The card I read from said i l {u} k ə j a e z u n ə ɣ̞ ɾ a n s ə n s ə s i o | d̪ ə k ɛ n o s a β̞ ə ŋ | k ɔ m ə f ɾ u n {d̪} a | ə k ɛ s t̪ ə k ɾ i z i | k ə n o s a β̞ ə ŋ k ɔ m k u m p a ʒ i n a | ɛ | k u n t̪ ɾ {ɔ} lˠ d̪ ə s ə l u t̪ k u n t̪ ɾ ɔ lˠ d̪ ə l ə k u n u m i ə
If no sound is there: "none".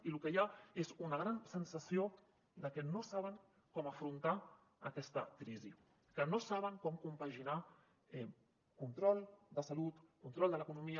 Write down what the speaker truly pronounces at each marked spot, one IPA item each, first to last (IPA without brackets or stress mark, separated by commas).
u, t̪, ɔ